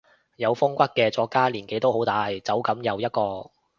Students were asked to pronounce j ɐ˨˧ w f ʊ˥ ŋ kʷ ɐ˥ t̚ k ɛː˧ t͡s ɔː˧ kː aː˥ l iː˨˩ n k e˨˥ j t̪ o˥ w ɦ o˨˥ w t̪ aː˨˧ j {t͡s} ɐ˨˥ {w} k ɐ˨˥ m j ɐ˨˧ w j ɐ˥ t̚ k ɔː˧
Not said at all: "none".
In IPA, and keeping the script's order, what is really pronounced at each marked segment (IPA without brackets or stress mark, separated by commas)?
t͡s, w